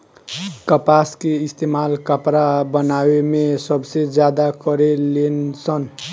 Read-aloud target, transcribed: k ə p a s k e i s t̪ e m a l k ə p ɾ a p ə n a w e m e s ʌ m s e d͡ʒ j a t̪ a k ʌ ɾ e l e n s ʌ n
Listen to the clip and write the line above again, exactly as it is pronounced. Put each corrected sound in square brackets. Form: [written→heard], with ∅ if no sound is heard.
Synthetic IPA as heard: k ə p a s k e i s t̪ e m a l k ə p ɾ a [p→b] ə n a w e m e s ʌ [m→b] s e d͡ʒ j a [t̪→d̪] a k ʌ ɾ e l e n s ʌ n

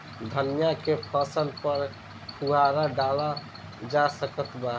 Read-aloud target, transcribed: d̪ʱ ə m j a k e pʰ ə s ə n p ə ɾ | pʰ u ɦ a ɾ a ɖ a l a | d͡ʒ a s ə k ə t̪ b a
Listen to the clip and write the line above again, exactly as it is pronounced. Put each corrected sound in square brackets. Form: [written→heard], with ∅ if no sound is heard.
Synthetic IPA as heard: d̪ʱ ə [m→n] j a k e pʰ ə s ə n p ə ɾ | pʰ u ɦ a ɾ a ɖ a l a | d͡ʒ a s ə k ə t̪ b a

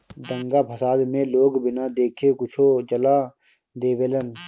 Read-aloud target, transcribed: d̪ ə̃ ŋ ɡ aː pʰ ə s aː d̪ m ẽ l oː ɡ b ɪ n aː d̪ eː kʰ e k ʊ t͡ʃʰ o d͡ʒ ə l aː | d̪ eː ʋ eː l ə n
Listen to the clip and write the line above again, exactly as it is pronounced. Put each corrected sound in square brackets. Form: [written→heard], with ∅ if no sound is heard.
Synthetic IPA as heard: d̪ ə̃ ŋ ɡ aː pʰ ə s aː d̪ m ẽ l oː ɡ b ɪ n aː d̪ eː kʰ e k ʊ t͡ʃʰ o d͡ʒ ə l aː | d̪ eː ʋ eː l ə n

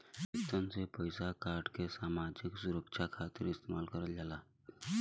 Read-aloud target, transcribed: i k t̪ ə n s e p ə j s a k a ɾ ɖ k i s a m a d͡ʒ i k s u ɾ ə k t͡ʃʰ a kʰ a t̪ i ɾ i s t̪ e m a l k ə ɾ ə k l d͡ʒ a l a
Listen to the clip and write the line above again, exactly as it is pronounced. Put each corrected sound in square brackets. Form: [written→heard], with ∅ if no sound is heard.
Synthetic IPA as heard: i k t̪ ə n s e p ə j s a k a ɾ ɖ k [i→e] s a m a d͡ʒ i k s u ɾ ə k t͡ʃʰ a kʰ a t̪ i ɾ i s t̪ e m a l k ə ɾ ə [k→∅] l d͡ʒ a l a

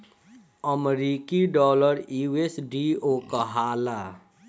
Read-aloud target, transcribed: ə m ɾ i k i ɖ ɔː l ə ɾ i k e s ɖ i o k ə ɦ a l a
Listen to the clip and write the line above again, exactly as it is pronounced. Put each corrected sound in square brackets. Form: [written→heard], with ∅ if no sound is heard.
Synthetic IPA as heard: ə m ɾ i k i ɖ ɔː l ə ɾ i [k→∅] e s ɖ i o k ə ɦ a l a

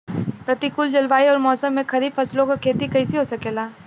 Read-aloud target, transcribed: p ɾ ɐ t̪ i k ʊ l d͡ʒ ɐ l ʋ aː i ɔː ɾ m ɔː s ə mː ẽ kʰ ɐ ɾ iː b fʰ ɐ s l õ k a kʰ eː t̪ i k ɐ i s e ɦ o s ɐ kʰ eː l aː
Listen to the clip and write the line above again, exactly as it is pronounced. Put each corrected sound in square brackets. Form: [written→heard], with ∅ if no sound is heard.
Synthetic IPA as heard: p ɾ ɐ t̪ i k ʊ l d͡ʒ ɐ l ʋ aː i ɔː ɾ m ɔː s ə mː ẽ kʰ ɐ ɾ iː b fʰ ɐ s l õ k a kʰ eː t̪ i k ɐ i s [e→i] ɦ o s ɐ [kʰ→k] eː l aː

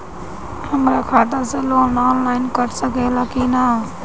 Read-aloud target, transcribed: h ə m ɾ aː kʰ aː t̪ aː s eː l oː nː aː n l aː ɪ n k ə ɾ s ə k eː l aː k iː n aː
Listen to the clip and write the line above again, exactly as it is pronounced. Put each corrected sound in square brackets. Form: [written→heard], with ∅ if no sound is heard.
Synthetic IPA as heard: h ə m ɾ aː kʰ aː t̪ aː s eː l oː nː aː n l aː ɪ n k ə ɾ s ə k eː l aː k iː n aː

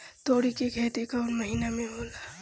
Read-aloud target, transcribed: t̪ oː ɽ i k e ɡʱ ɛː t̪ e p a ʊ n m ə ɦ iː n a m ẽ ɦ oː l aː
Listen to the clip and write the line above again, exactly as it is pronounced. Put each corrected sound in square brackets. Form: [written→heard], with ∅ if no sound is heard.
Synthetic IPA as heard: t̪ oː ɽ i k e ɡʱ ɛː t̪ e [p→k] a ʊ n m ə ɦ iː n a m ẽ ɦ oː l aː

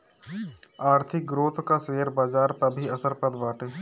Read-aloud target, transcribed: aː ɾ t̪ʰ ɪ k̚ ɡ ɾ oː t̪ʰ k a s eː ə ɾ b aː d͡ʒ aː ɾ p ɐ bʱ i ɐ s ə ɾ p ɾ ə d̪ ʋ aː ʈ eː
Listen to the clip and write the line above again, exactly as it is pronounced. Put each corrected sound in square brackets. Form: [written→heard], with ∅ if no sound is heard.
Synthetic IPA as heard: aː ɾ t̪ʰ ɪ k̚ ɡ ɾ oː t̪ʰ k a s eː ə ɾ b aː d͡ʒ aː ɾ p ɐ bʱ i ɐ s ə ɾ p ɾ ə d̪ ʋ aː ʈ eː

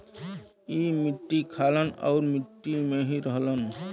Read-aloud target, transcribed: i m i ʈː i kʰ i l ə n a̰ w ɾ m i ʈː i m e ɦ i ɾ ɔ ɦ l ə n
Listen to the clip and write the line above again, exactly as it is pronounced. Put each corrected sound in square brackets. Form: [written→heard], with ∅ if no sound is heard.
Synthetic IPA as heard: i m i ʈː i kʰ [i→a] l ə n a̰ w ɾ m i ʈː i m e ɦ i ɾ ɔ ɦ l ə n

